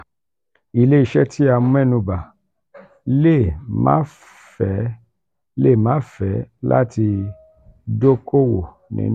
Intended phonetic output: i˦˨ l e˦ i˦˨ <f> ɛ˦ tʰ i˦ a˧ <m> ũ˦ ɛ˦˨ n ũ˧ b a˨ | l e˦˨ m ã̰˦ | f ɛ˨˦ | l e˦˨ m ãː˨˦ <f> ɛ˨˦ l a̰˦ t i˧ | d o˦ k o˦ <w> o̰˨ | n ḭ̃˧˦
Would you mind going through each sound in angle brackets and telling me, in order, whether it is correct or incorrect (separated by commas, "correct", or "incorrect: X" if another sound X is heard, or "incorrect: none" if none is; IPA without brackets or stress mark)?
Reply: incorrect: ʃ, correct, correct, correct